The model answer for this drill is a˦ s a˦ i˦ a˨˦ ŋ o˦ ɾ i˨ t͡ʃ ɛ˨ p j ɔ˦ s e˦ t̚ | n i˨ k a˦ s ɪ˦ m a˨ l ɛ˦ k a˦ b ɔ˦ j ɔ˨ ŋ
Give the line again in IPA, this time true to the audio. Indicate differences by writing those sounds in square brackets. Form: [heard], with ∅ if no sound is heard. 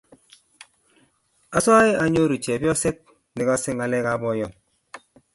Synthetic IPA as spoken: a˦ s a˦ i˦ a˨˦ [ɲ] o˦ ɾ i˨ t͡ʃ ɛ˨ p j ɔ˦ s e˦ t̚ | n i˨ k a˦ s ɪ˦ [ŋ] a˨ l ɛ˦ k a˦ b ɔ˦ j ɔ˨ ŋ

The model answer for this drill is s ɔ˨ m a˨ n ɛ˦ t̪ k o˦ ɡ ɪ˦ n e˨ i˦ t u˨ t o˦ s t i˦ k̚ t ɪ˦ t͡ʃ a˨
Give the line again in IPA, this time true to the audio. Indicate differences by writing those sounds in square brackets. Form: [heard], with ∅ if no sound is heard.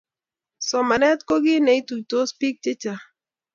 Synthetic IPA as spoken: s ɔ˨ m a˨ n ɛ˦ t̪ k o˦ ɡ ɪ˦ n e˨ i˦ t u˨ t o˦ s [p] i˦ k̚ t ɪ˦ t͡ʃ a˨

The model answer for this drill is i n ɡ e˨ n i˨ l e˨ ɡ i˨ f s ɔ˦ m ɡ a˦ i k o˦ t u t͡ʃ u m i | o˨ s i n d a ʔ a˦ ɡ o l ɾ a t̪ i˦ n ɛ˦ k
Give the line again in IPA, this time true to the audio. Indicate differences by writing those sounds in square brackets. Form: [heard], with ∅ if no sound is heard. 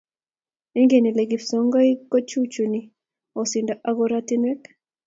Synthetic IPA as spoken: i [ŋ] ɡ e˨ n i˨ l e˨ ɡ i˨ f s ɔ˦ [ŋ] ɡ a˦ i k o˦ [t͡ʃ] u t͡ʃ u [n] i | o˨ s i n d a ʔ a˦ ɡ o [∅] ɾ a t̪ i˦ n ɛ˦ k

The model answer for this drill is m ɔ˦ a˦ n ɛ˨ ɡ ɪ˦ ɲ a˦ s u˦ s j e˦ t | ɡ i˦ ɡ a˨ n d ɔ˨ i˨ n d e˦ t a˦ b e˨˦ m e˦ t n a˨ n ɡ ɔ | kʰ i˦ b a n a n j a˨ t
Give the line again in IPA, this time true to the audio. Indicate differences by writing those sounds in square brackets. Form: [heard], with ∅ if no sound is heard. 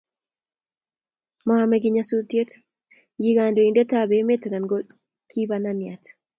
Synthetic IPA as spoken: m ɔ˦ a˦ [m] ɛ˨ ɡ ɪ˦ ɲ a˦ s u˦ [t] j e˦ t | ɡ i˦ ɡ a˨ n d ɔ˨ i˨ n d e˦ t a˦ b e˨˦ m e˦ t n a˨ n ɡ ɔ | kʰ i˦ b a n a n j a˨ t

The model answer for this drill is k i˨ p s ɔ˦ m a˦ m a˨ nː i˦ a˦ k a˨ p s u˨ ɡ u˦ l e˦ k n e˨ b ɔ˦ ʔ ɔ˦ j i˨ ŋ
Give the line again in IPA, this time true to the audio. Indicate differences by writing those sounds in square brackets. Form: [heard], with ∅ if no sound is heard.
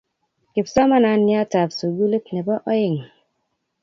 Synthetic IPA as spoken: k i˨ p s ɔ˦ m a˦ [n] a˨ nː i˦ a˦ [t] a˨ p s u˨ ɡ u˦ l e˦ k n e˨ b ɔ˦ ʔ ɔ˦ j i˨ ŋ

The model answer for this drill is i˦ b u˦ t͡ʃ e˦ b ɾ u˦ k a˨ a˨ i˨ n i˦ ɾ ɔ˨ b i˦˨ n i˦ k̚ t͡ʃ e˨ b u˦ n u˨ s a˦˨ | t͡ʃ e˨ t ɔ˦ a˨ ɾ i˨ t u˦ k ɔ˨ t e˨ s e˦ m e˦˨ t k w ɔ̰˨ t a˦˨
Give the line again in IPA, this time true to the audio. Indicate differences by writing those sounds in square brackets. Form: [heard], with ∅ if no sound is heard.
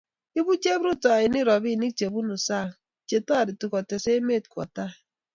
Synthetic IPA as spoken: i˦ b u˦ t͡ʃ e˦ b ɾ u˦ [t] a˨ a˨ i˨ n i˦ ɾ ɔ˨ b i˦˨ n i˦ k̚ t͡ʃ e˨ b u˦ n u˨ s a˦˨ | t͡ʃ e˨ t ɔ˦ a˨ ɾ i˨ t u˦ k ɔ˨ t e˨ s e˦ m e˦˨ t k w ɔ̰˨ t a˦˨

